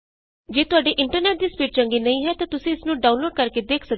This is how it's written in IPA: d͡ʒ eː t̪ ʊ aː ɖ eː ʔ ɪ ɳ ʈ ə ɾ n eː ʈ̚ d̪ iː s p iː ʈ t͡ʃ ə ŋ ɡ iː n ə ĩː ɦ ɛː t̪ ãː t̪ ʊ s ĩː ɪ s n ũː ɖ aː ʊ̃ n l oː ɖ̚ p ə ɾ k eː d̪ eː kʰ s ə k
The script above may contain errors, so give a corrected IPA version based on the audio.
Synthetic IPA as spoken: d͡ʒ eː t̪ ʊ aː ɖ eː ʔ ɪ ɳ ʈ ə ɾ n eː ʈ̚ d̪ iː s p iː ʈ t͡ʃ ə ŋ ɡ iː n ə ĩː ɦ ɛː t̪ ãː t̪ ʊ s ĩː ɪ s n ũː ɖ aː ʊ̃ n l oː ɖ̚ k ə ɾ k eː d̪ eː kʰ s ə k